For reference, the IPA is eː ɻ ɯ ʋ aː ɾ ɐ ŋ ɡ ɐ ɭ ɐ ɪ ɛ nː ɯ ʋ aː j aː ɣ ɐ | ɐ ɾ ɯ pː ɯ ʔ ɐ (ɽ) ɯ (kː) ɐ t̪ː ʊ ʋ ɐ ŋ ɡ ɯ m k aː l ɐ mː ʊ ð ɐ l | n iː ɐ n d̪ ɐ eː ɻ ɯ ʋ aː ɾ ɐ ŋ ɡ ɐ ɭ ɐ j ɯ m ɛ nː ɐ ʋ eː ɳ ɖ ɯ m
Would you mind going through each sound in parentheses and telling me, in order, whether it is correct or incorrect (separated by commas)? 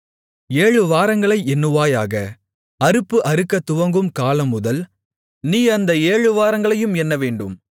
incorrect, correct